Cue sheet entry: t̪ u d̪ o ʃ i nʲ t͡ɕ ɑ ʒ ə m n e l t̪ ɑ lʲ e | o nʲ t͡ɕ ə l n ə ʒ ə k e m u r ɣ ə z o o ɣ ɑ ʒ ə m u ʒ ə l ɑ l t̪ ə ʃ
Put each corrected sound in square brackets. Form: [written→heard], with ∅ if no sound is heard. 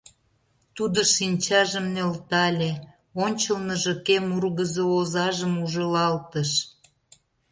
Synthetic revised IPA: t̪ u d̪ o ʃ i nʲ t͡ɕ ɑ ʒ ə m n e l t̪ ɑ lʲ e | o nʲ t͡ɕ ə l n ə ʒ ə k e m u r ɣ ə z o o [ɣ→z] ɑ ʒ ə m u ʒ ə l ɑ l t̪ ə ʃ